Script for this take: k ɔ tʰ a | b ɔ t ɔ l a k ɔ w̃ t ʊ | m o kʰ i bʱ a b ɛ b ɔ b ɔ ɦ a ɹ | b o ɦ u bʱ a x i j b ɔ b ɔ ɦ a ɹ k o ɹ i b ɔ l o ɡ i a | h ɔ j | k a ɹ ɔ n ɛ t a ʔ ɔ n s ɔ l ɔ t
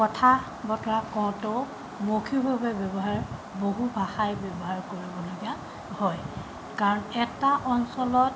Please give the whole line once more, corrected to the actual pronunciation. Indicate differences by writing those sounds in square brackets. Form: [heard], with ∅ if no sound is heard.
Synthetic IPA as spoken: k ɔ tʰ a | b ɔ t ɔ [ɹ] a k ɔ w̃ t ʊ | m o kʰ i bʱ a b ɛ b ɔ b ɔ ɦ a ɹ | b o ɦ u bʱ a x [a] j b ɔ b ɔ ɦ a ɹ k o ɹ i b ɔ l o ɡ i a | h ɔ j | k a ɹ ɔ n ɛ t a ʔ ɔ n s ɔ l ɔ t

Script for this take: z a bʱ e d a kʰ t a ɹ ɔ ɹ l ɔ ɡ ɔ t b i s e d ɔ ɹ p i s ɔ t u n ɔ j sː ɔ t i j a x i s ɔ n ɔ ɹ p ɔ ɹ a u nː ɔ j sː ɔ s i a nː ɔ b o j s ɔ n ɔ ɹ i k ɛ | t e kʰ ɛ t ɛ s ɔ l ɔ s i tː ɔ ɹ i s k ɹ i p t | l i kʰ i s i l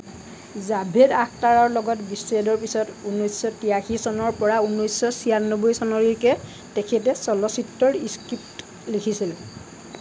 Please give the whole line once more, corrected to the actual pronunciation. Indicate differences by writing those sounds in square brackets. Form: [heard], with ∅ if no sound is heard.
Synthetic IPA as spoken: z a bʱ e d a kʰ t a ɹ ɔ ɹ l ɔ ɡ ɔ t b i s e d ɔ ɹ p i s ɔ t u n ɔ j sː ɔ t i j a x i s ɔ n ɔ ɹ p ɔ ɹ a u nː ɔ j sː ɔ s i a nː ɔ b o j s ɔ n ɔ ɹ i k ɛ | t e kʰ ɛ t ɛ s ɔ l ɔ s i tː ɔ ɹ i s k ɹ i p t | l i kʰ i s i l

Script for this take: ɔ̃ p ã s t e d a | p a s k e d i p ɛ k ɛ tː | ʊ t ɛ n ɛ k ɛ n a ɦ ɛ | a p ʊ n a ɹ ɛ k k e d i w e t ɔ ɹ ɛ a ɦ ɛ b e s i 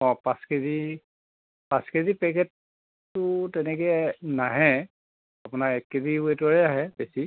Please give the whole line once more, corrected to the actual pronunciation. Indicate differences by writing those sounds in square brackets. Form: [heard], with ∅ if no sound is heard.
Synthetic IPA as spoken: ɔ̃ p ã s [k] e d [i] | p a s k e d i p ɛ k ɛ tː | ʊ t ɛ n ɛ k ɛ n a ɦ ɛ | a p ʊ n a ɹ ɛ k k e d i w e t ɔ ɹ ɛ a ɦ ɛ b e s i

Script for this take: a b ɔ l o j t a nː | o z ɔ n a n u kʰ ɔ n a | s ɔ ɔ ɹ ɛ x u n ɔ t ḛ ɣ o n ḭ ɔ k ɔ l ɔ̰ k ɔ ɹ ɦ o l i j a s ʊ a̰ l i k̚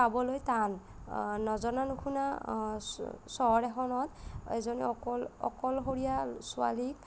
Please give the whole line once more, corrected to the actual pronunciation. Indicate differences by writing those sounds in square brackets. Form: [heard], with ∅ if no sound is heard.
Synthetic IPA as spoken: a b ɔ l o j t a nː | [ɔ] z ɔ n a n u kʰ [u] n a | s ɔ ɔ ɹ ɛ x [ɔ] n ɔ t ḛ [z] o n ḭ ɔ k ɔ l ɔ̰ k ɔ [l] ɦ o [ɹ] i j a s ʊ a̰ l i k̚

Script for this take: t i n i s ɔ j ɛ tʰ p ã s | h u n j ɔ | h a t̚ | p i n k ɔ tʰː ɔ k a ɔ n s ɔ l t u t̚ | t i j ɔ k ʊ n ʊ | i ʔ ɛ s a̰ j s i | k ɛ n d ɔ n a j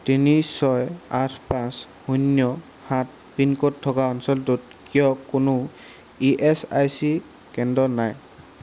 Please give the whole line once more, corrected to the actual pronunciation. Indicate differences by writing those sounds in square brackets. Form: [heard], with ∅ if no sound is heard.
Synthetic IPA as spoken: t i n i s ɔ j [a] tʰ p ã s | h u n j ɔ | h a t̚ | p i n k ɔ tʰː ɔ k a ɔ n s ɔ l t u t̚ | [k] i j ɔ k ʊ n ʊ | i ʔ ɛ s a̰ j s i | k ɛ n d ɔ n a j

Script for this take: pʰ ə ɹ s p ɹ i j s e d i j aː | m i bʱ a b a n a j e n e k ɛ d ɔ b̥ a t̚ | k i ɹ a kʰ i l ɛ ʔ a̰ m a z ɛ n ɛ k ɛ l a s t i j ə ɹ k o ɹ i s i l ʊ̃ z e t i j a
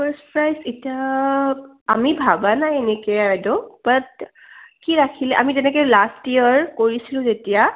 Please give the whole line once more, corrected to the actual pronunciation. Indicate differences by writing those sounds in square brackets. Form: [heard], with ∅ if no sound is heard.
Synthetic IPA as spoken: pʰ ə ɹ s p ɹ [a] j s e [t] i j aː | m i bʱ a b a n a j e n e k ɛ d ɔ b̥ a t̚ | k i ɹ a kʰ i l ɛ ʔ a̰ m [i] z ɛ n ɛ k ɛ l a s t i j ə ɹ k o ɹ i s i l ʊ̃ z e t i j a

